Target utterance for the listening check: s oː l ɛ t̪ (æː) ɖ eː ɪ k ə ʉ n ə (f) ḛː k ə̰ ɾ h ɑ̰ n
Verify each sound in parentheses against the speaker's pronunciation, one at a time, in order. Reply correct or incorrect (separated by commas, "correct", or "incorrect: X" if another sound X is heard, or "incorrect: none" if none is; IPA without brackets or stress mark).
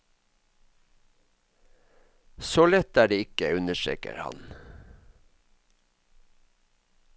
correct, incorrect: ʃ